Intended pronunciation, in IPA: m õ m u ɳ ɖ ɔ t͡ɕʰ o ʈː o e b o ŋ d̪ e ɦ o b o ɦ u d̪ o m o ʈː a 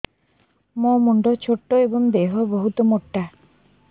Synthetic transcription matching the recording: m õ m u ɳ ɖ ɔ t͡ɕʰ o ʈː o e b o ŋ d̪ e ɦ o b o ɦ u t̪ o m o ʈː a